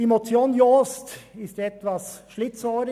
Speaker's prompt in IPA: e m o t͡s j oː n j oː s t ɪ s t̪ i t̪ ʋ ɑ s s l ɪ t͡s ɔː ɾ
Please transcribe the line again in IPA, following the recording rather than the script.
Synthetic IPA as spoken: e m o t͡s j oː n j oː s t ɪ s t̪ ɛ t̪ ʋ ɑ s ʃ l ɪ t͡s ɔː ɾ